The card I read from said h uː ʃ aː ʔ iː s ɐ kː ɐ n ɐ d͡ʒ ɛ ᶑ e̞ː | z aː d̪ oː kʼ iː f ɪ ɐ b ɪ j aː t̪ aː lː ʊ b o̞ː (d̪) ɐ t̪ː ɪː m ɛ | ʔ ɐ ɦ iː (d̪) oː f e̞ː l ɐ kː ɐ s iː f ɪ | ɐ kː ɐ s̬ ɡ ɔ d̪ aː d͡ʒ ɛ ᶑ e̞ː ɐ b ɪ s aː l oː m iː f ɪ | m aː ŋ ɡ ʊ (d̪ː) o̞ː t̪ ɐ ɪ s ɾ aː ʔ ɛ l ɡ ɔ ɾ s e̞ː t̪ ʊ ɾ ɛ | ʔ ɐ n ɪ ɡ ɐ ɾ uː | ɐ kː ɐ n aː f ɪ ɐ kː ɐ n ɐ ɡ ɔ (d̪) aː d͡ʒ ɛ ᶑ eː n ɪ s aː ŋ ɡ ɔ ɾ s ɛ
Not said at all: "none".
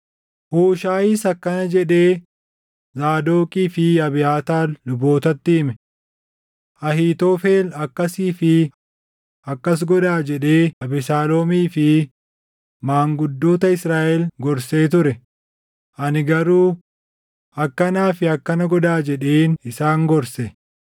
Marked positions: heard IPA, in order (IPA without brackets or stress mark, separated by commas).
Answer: t̪, t̪, d̪ː, d̪